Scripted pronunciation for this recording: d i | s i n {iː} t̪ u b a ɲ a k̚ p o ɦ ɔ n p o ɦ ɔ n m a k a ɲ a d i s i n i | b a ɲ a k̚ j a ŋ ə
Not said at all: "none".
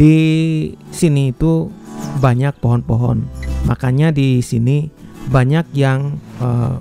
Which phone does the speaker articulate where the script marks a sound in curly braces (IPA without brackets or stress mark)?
iː